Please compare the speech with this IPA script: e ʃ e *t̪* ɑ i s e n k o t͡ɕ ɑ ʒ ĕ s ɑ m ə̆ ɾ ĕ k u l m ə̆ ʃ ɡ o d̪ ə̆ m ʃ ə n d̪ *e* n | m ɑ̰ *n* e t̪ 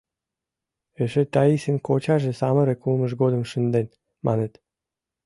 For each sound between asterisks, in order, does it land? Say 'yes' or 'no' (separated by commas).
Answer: yes, yes, yes